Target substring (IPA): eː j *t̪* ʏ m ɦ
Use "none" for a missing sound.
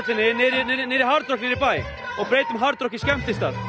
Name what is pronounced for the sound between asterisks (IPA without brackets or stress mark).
t̪